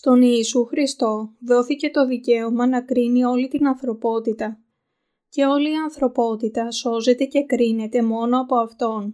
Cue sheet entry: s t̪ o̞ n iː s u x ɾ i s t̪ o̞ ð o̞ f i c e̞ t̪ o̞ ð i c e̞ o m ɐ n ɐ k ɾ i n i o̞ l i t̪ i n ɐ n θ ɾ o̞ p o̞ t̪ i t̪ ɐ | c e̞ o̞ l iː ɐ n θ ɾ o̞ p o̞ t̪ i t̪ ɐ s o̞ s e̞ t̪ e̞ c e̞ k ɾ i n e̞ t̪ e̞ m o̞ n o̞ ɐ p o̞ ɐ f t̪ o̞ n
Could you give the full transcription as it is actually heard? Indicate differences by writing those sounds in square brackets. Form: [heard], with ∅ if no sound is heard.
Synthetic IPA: s t̪ o̞ n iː s u x ɾ i s t̪ o̞ ð o̞ [θ] i c e̞ t̪ o̞ ð i c e̞ o m ɐ n ɐ k ɾ i n i o̞ l i t̪ i n ɐ n θ ɾ o̞ p o̞ t̪ i t̪ ɐ | c e̞ o̞ l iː ɐ n θ ɾ o̞ p o̞ t̪ i t̪ ɐ s o̞ [z] e̞ t̪ e̞ c e̞ k ɾ i n e̞ t̪ e̞ m o̞ n o̞ ɐ p o̞ ɐ f t̪ o̞ n